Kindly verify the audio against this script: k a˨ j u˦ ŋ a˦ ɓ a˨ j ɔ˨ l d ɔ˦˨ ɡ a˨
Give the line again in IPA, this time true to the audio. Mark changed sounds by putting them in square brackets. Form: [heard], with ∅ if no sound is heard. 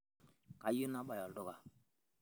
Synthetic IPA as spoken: k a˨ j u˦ [n] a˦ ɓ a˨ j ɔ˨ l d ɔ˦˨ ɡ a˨